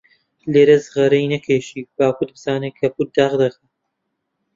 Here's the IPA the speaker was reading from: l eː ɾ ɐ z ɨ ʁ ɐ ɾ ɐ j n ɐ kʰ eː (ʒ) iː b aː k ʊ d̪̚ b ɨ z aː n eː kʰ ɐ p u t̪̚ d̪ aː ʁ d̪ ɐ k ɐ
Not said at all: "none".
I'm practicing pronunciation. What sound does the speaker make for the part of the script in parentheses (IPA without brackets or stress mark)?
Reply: ʃ